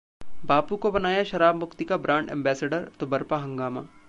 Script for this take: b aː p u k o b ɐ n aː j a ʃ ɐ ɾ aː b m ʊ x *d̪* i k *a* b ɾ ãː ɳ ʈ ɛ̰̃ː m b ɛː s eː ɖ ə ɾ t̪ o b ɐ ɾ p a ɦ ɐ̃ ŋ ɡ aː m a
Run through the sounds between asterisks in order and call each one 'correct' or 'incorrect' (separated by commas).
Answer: incorrect, correct